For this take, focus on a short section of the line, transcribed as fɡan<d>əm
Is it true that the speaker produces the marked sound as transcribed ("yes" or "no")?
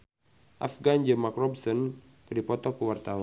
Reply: no